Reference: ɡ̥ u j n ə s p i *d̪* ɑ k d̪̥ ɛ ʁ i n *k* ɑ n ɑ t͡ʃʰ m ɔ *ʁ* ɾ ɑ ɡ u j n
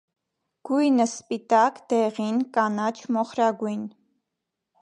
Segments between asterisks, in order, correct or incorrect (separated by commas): incorrect, correct, incorrect